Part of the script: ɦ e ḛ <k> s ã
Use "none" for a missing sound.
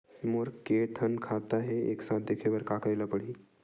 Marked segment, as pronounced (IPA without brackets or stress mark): k